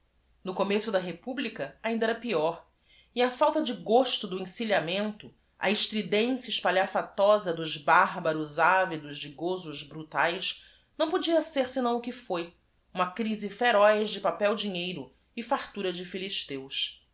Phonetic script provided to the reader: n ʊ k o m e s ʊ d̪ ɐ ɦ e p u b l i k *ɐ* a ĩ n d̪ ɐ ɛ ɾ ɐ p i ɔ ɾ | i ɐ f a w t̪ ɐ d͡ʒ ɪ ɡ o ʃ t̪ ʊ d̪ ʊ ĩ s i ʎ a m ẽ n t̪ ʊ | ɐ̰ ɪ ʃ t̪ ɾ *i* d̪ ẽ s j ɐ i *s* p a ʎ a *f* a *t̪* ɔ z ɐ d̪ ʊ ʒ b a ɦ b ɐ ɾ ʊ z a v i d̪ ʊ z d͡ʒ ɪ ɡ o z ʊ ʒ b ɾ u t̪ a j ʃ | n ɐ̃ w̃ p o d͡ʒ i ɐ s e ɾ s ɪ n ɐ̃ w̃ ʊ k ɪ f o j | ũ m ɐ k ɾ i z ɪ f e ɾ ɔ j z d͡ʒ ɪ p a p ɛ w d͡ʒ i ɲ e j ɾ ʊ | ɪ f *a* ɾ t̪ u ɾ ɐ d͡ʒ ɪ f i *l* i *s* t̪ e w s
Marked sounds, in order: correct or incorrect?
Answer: correct, correct, incorrect, correct, correct, correct, correct, incorrect

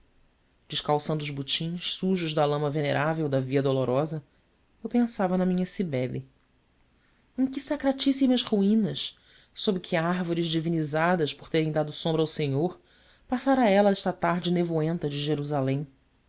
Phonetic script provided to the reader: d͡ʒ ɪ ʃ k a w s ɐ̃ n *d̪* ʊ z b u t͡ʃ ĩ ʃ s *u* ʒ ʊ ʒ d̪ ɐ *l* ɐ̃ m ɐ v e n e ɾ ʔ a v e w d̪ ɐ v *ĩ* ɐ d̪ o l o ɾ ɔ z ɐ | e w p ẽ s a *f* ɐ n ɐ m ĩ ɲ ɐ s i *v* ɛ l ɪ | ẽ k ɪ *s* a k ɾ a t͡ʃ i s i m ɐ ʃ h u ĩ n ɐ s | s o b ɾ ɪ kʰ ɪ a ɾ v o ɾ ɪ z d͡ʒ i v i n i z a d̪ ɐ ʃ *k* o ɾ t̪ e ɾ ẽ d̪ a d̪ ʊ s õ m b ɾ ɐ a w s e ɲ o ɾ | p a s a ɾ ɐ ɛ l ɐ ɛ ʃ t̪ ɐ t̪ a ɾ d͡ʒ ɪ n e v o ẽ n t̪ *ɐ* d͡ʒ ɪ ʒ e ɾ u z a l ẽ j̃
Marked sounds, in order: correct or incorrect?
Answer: correct, correct, correct, incorrect, incorrect, incorrect, correct, incorrect, correct

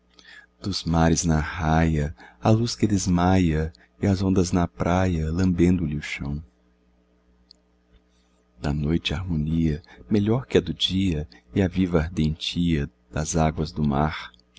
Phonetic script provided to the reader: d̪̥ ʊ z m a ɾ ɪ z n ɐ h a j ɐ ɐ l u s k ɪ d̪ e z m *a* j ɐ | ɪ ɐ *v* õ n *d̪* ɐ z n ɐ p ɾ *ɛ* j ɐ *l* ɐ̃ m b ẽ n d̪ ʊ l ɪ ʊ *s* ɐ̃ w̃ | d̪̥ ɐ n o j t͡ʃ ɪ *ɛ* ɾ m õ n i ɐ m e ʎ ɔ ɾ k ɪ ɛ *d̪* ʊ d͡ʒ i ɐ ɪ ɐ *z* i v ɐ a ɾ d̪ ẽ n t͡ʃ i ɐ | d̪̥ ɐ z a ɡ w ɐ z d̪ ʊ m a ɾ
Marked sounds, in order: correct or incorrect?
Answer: correct, incorrect, correct, incorrect, correct, incorrect, incorrect, correct, incorrect

